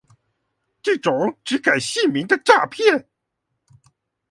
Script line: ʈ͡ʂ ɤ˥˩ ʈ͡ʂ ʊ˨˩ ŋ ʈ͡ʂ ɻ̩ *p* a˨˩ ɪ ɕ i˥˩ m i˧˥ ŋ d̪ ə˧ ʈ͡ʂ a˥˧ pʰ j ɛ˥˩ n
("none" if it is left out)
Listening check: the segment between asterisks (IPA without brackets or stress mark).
k